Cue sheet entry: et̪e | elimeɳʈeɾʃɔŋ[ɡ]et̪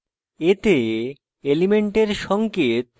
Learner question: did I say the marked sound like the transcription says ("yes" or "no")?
no